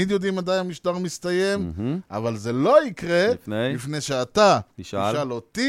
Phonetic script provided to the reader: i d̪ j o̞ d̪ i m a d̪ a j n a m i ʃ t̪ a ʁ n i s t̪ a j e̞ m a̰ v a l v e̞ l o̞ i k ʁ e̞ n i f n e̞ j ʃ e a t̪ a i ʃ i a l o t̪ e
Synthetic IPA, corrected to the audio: i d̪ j o̞ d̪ i m a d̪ a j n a m i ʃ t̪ a ʁ m i s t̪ a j e̞ m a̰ v a l z e̞ l o̞ i k ʁ e̞ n i f n e̞ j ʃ e a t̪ a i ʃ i a l o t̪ i